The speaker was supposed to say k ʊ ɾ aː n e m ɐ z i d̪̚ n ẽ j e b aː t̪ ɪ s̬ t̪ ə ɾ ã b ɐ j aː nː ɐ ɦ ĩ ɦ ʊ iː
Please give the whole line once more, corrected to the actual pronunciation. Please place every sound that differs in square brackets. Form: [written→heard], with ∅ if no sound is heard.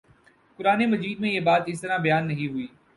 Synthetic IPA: k ʊ ɾ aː n e m ɐ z [i→iː] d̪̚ [n→m] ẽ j e b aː t̪ ɪ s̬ t̪ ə ɾ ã b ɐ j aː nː ɐ ɦ ĩ ɦ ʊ iː